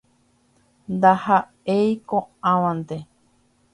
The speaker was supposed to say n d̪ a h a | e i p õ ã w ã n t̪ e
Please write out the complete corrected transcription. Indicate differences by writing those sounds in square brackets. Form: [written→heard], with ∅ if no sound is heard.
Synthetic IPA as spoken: n d̪ a h a | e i [p→k] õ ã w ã n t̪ e